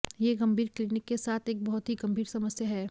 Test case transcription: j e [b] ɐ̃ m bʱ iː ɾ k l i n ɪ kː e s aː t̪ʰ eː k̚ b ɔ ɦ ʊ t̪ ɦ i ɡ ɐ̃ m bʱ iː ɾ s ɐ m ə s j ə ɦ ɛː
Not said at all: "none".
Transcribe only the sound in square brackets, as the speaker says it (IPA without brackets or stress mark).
ɡ